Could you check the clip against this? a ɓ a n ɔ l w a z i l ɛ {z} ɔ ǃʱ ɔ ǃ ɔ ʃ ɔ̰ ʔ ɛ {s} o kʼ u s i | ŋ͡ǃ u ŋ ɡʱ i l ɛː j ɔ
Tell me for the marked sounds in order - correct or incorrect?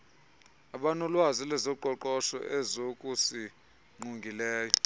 correct, incorrect

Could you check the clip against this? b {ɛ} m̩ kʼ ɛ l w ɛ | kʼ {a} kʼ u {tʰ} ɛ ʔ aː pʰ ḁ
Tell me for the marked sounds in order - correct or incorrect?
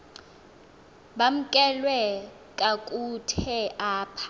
incorrect, correct, correct

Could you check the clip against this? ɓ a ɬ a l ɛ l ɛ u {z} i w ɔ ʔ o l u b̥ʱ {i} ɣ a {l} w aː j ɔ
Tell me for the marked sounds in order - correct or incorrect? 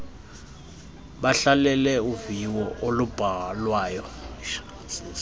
incorrect, incorrect, correct

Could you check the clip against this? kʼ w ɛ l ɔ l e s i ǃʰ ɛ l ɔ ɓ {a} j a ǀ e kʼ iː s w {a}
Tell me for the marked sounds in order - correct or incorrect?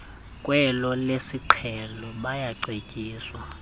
correct, correct

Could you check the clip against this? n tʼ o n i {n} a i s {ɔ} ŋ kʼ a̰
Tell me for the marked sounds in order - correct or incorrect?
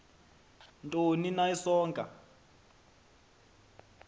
correct, incorrect

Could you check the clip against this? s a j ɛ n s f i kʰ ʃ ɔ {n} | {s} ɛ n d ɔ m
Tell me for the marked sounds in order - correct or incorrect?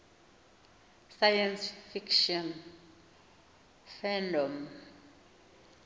correct, incorrect

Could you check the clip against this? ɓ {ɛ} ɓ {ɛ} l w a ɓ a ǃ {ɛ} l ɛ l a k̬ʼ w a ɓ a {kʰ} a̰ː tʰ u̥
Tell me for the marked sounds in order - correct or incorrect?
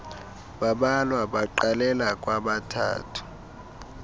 incorrect, incorrect, incorrect, incorrect

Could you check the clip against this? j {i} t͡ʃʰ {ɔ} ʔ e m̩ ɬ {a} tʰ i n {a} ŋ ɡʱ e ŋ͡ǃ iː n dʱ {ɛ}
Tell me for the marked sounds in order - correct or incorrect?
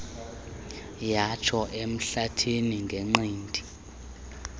incorrect, correct, correct, incorrect, incorrect

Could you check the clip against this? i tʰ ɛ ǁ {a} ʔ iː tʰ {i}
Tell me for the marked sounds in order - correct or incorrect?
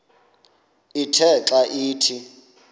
correct, correct

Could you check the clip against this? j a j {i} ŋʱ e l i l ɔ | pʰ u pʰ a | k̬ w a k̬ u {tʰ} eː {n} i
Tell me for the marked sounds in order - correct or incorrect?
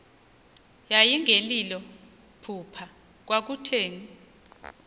correct, correct, incorrect

